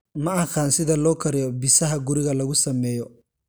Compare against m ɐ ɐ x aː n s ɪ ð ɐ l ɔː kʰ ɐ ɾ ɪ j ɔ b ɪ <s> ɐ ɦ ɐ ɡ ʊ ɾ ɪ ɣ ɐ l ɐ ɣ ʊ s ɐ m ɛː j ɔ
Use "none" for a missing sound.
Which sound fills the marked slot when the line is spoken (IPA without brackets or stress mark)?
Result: s